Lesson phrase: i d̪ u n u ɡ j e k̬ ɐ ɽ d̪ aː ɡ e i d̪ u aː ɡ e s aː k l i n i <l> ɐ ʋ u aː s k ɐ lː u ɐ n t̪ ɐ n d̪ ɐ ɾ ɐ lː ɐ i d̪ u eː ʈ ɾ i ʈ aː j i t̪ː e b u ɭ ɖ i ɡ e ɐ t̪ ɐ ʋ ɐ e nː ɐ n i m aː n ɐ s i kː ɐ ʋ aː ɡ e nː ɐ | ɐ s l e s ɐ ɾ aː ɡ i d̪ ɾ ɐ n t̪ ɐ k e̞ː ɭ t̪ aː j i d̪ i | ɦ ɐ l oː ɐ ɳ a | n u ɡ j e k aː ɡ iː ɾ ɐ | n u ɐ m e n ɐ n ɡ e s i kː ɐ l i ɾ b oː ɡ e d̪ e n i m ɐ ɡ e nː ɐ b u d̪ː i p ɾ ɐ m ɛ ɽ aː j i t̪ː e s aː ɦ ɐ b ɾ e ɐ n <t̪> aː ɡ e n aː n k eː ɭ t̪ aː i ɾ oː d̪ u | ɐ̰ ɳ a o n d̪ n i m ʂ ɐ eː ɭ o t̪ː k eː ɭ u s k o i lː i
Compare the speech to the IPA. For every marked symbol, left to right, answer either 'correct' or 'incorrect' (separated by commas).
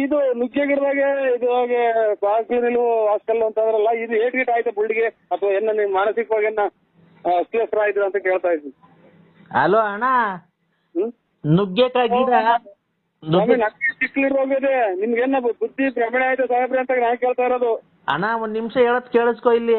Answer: correct, correct